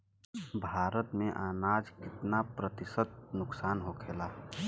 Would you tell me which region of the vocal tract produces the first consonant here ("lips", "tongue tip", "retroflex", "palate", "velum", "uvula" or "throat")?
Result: lips